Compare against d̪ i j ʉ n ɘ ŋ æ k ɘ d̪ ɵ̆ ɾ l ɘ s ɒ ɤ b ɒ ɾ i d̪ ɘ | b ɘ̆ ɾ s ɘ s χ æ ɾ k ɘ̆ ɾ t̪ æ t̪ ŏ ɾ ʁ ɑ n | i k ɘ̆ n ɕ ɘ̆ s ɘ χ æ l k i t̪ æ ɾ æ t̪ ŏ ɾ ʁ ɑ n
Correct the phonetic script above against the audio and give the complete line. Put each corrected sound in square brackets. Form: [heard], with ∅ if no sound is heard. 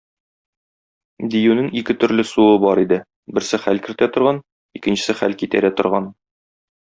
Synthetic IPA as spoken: d̪ i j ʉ n ɘ ŋ [i] k ɘ [t̪] ɵ̆ ɾ l ɘ s [u] ɤ b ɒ ɾ i d̪ ɘ | b ɘ̆ ɾ s ɘ [∅] χ æ [l] k ɘ̆ ɾ t̪ æ t̪ ŏ ɾ ʁ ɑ n | i k ɘ̆ n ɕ ɘ̆ s ɘ χ æ l k i t̪ æ ɾ æ t̪ ŏ ɾ ʁ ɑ n